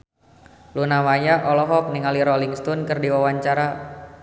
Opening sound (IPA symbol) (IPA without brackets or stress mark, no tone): l